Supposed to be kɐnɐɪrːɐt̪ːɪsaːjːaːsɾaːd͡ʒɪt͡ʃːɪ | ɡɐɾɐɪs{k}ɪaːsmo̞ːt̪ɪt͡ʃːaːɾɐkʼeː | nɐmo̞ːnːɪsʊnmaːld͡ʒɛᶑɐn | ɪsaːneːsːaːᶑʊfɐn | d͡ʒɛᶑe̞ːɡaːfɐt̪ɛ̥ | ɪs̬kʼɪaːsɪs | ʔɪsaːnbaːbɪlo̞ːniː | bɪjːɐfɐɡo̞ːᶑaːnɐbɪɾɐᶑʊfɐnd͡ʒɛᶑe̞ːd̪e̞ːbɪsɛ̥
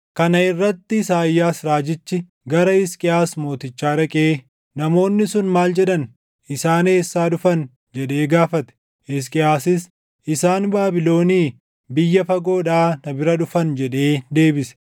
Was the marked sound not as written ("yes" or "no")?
yes